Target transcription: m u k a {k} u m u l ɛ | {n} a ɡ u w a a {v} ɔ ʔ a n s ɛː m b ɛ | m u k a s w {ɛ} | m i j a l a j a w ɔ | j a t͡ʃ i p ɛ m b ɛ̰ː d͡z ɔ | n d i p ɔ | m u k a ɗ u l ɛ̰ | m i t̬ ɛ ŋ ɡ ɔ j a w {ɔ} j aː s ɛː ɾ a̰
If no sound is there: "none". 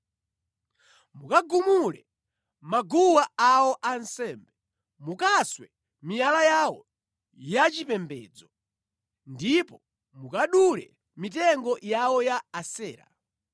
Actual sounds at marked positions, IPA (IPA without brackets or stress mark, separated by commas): ɡ, m, w, ɛ, ɔ